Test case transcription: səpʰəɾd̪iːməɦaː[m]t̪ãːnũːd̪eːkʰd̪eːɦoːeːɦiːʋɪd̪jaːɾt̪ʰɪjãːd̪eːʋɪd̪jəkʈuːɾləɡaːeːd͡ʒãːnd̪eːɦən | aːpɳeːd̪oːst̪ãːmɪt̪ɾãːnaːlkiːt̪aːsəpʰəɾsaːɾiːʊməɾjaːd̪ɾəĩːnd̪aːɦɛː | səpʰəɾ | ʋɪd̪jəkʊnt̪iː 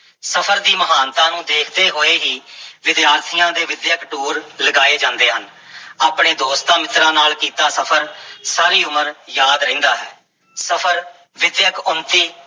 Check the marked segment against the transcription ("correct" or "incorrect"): incorrect